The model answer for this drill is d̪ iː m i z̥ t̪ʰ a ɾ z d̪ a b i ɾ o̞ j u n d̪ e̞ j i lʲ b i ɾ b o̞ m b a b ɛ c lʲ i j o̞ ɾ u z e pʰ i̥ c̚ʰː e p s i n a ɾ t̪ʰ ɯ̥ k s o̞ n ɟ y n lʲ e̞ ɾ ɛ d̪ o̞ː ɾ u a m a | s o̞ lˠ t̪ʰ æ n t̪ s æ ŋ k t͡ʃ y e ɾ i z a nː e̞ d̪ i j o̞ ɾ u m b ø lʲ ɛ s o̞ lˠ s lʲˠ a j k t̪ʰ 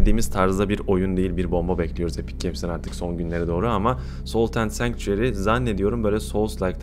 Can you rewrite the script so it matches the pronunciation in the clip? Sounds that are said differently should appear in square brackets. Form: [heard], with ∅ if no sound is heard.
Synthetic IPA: d̪ iː m i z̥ t̪ʰ a ɾ z d̪ a b i ɾ o̞ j u n d̪ e̞ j i lʲ b i ɾ b o̞ m b a b ɛ c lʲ i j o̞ ɾ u z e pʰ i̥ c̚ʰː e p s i n a ɾ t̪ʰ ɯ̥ k s o̞ n ɟ y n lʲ e̞ ɾ ɛ d̪ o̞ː ɾ u a m a | s o̞ lˠ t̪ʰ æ n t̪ s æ ŋ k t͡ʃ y e ɾ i z a nː e̞ d̪ i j o̞ ɾ u m b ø lʲ ɛ s o̞ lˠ s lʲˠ a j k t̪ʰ